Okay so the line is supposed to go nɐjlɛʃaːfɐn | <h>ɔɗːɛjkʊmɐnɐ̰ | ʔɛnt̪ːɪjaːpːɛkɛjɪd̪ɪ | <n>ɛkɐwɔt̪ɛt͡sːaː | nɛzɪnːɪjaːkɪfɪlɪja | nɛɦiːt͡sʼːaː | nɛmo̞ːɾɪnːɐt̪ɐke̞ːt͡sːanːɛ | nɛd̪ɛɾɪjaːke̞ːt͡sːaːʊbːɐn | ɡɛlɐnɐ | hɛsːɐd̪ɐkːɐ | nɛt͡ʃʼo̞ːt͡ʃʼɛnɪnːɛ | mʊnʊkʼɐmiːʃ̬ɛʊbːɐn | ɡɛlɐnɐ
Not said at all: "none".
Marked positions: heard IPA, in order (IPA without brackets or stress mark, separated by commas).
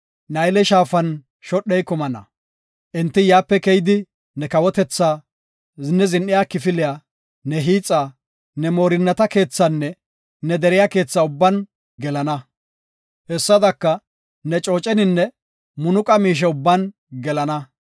ʃ, n